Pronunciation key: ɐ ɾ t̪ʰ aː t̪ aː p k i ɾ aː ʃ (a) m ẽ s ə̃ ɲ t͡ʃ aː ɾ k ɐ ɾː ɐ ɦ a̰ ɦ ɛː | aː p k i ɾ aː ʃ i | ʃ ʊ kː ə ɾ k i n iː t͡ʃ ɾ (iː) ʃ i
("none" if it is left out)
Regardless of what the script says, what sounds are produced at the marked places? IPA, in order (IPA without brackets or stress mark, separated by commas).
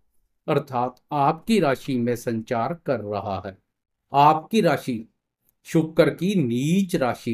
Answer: i, aː